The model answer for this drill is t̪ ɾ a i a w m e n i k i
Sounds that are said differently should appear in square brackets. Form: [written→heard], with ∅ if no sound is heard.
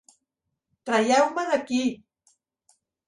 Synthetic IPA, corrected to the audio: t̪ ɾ a [i→j] a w m [e→a] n [i→a] k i